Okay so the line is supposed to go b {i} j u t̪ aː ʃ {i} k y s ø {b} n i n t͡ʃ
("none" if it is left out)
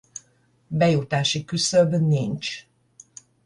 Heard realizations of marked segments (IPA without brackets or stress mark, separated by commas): ɛ, i, b